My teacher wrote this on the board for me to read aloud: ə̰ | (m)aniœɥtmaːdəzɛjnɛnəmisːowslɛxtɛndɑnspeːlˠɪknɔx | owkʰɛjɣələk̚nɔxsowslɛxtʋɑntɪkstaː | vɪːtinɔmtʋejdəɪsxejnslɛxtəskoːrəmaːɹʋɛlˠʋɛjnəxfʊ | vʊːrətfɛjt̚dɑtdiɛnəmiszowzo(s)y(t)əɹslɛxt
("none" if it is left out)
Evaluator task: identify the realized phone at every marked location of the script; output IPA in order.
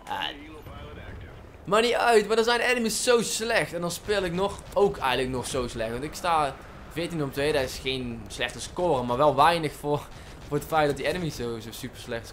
m, s, p

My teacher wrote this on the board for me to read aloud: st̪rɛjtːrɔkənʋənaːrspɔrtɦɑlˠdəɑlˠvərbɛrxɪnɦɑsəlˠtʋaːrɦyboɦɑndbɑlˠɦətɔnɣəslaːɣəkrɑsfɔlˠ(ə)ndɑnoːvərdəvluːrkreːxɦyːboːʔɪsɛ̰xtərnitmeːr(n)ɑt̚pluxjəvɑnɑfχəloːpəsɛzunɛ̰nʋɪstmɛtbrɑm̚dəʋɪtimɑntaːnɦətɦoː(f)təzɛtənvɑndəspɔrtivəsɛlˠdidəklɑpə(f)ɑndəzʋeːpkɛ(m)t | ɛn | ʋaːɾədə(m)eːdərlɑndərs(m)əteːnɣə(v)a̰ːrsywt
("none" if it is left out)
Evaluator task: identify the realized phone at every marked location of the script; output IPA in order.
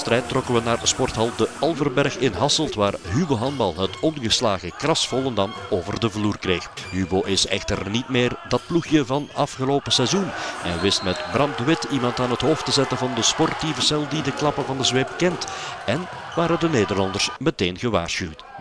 ə, d, f, v, n, n, m, ʋ

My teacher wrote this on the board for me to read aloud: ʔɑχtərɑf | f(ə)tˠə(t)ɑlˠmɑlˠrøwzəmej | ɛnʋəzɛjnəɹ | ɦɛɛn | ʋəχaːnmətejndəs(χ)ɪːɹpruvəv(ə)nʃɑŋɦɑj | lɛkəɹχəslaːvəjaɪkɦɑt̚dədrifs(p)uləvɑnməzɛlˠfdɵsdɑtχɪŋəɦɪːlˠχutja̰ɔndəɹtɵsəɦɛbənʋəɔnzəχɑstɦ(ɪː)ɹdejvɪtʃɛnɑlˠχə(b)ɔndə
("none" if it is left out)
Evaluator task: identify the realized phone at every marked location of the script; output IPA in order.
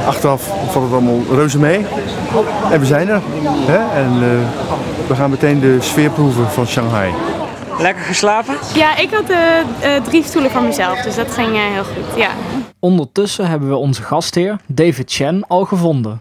ɑ, t, f, ɑ, t, ɪː, v

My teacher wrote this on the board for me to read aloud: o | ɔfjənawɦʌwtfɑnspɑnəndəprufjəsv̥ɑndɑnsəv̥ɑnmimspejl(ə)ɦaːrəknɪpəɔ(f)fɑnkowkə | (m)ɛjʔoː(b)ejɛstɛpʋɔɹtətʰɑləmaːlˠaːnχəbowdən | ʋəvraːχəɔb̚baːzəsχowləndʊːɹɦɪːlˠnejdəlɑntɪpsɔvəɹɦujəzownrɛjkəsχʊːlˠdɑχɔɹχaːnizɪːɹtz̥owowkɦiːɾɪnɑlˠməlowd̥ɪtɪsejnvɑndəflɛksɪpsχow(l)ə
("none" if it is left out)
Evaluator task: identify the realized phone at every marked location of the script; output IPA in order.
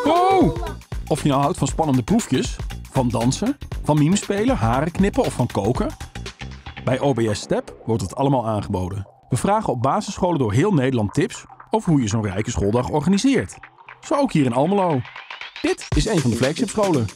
ə, f, b, b, l

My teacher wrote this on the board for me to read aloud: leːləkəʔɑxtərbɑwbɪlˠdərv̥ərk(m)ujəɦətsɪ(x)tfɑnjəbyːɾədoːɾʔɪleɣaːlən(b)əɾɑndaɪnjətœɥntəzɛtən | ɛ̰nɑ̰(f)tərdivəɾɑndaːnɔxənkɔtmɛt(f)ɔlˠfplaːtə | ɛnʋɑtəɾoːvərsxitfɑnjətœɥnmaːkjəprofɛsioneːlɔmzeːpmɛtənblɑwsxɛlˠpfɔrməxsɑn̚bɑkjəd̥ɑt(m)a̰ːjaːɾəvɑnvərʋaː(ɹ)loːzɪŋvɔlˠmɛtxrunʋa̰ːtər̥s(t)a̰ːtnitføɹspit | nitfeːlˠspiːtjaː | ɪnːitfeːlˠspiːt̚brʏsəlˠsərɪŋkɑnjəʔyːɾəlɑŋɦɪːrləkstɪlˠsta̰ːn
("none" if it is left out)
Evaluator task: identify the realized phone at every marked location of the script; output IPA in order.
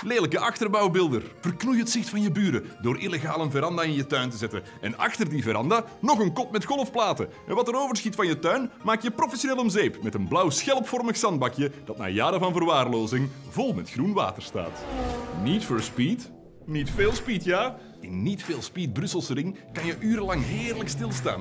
n, x, v, x, x, n, r, t

